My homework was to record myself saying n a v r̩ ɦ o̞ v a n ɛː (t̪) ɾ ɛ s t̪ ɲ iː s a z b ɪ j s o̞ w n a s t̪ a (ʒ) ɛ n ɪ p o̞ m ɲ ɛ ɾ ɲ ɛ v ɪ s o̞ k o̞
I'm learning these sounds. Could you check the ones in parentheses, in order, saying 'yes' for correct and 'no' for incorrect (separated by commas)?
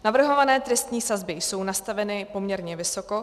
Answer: yes, no